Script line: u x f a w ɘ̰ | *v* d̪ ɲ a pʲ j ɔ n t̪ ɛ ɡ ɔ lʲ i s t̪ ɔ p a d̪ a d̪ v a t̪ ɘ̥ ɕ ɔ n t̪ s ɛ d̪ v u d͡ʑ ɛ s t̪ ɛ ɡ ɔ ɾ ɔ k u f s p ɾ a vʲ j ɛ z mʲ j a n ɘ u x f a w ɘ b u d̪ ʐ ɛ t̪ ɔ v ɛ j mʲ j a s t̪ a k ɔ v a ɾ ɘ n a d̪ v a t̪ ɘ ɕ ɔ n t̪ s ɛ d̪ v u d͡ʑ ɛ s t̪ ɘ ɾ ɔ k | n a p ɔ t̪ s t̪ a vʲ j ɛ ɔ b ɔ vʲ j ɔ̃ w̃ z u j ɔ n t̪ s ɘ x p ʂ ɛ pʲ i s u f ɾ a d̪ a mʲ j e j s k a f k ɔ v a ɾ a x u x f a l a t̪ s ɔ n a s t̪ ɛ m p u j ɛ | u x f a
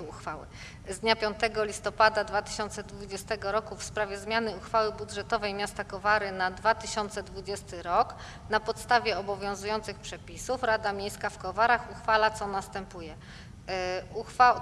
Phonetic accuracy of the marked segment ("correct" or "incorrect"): incorrect